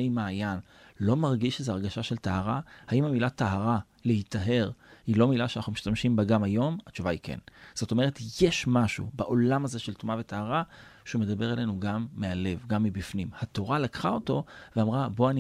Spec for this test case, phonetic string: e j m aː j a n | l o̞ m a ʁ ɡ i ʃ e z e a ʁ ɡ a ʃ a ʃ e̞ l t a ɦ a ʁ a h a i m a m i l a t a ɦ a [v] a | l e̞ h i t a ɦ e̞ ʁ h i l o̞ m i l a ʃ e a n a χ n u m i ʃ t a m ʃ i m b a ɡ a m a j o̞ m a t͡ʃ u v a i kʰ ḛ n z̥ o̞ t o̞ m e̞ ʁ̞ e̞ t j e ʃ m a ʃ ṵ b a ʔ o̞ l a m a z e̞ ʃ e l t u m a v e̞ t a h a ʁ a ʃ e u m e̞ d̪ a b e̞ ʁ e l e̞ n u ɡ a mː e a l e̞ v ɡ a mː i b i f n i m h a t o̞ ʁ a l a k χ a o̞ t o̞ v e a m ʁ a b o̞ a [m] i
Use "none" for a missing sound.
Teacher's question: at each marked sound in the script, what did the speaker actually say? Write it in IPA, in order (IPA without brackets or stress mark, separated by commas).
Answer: ʁ, n